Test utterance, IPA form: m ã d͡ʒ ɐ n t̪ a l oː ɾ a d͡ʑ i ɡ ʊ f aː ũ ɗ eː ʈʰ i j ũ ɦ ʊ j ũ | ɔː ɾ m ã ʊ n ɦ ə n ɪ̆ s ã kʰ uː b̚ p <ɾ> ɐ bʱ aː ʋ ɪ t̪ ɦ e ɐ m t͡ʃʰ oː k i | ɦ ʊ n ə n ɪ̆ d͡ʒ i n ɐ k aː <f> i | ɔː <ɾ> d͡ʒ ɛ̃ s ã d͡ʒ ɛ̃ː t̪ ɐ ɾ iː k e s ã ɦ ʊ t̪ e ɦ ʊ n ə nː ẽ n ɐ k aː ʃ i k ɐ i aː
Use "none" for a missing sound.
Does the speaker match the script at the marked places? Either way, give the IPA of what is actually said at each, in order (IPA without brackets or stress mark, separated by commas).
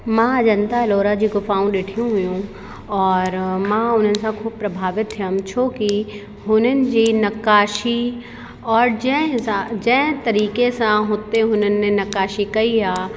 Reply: ɾ, ʃ, ɾ